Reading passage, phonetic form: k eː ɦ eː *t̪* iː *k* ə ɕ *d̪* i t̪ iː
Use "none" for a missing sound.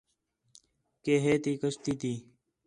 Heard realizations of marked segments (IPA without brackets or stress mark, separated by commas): t̪, k, t̪